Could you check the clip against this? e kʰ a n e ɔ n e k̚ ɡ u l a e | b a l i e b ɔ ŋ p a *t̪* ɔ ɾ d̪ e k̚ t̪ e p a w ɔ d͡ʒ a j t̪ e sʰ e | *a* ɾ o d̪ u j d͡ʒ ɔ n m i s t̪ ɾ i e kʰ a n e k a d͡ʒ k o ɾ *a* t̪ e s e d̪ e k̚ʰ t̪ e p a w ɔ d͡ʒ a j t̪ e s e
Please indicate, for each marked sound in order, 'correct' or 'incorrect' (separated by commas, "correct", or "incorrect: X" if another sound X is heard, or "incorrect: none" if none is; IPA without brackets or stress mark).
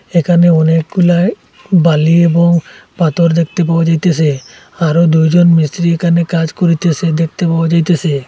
correct, correct, incorrect: i